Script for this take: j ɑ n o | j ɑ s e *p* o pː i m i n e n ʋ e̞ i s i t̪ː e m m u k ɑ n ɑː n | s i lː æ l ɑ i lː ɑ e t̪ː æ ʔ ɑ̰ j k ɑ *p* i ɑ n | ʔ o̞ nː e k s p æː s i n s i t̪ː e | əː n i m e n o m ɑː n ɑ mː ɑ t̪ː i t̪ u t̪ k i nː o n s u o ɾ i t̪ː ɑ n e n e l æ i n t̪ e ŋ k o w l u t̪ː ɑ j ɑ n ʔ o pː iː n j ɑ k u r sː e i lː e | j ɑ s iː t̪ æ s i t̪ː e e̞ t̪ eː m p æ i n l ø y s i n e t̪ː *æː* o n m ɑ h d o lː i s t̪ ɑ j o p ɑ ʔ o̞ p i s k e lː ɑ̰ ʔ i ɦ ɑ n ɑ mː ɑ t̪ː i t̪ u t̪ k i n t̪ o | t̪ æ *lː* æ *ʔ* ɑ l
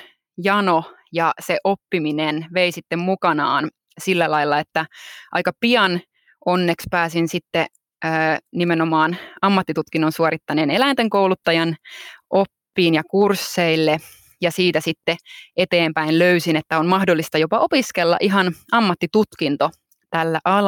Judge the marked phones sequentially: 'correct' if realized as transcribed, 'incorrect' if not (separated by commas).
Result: incorrect, correct, incorrect, correct, correct